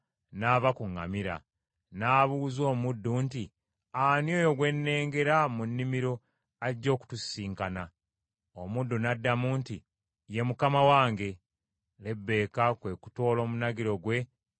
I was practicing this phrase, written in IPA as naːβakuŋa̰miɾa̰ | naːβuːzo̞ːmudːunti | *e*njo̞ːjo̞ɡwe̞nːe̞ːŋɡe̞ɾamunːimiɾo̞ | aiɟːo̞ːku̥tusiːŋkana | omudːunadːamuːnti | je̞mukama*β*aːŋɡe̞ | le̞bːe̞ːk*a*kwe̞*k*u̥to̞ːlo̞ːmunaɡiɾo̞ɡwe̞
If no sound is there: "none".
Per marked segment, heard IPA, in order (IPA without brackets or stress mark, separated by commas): a, w, a, k